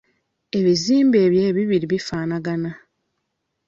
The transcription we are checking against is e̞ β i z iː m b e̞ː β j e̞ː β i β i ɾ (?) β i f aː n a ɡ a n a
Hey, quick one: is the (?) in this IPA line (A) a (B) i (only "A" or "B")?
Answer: B